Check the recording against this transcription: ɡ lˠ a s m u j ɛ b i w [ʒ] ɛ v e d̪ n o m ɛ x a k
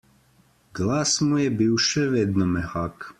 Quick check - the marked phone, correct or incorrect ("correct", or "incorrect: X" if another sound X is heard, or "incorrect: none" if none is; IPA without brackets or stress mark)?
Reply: incorrect: ʃ